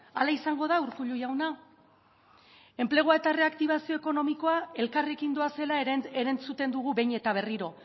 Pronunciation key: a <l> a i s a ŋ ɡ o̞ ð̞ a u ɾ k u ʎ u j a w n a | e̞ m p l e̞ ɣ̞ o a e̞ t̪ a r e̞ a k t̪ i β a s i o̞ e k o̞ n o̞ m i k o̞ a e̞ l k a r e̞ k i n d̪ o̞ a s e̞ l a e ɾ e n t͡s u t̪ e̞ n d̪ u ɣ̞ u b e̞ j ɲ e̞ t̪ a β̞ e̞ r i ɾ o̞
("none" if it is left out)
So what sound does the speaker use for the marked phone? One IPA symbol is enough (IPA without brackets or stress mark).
l